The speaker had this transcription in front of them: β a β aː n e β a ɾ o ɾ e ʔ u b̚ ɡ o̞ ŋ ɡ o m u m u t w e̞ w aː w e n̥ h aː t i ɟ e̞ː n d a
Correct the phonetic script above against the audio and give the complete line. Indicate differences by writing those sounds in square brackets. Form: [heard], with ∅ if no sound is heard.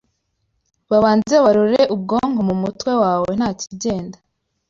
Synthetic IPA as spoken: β a β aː n e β a ɾ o ɾ e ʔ u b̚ ɡ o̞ ŋ ɡ o m u m u t w e̞ w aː w e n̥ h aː [c] i ɟ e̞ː n d a